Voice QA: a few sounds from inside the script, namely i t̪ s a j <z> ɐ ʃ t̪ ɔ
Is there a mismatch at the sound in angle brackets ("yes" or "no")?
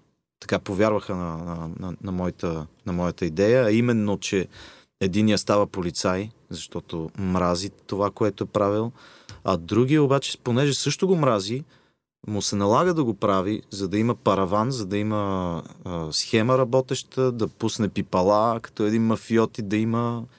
no